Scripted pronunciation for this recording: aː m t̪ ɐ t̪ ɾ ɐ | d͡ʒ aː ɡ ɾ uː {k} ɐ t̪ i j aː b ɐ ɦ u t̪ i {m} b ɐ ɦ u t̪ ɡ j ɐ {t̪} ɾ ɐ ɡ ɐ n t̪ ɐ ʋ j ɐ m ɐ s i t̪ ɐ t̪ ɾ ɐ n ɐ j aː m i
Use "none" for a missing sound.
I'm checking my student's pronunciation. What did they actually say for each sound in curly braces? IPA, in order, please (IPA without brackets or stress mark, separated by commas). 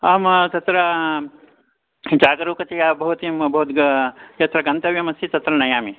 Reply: k, m, t̪